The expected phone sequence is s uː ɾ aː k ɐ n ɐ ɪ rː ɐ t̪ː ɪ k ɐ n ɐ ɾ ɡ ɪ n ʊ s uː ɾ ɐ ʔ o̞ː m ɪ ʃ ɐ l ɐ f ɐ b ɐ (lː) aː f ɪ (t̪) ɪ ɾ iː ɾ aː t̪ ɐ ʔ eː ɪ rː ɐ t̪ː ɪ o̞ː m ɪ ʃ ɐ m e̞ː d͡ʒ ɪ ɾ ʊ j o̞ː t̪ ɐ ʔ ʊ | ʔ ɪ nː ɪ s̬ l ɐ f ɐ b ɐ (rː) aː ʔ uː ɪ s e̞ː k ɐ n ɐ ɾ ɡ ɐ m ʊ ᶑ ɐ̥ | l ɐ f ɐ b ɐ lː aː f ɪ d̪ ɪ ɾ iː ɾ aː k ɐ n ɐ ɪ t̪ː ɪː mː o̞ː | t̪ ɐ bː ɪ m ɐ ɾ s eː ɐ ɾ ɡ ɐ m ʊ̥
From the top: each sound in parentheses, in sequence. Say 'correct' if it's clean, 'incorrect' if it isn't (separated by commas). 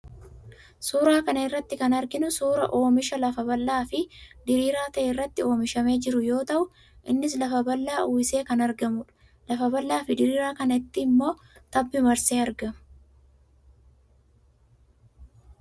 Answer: correct, incorrect, incorrect